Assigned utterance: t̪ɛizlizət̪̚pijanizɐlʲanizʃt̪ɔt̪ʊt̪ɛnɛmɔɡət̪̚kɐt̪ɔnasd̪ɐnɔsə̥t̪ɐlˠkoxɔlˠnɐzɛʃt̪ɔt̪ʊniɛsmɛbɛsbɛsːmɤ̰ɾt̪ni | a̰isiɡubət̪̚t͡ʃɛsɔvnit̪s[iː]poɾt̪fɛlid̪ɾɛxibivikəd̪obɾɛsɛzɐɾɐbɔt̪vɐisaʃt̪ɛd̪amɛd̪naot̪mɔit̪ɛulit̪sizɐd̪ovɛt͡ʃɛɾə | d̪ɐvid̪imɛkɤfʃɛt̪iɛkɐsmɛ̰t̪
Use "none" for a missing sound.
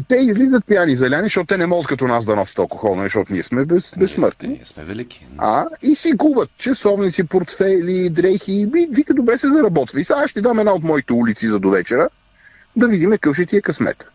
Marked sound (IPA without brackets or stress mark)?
i